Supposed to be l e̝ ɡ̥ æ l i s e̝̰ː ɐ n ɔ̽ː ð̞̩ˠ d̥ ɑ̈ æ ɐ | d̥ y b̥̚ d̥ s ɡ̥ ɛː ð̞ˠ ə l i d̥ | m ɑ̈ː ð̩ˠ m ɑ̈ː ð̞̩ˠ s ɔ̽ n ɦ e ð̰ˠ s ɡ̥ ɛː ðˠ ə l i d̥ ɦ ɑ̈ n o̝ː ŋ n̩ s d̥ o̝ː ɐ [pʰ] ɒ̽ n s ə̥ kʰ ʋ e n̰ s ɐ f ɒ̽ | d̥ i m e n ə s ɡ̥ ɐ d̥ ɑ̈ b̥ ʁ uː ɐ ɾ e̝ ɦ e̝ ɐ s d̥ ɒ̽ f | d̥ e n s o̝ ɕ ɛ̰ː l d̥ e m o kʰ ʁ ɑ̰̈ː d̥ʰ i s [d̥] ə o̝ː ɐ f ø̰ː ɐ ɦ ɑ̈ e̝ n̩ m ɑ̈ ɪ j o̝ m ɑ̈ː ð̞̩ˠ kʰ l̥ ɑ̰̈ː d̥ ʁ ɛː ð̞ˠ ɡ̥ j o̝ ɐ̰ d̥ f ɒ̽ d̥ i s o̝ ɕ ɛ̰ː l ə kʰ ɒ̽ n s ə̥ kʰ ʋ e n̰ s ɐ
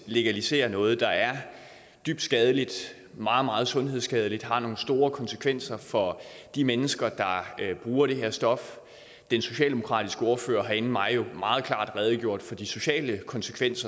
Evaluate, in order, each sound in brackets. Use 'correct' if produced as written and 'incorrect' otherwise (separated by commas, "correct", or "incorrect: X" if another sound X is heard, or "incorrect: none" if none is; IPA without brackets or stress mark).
incorrect: kʰ, incorrect: ɡ̥